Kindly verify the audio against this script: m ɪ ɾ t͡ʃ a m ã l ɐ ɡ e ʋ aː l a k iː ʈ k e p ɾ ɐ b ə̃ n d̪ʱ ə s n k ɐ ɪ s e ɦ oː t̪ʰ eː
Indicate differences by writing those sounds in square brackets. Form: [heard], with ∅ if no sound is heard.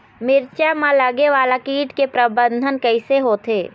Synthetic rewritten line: m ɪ ɾ t͡ʃ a m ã l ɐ ɡ e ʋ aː l a k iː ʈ k e p ɾ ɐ b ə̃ n d̪ʱ ə [∅] n k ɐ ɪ s e ɦ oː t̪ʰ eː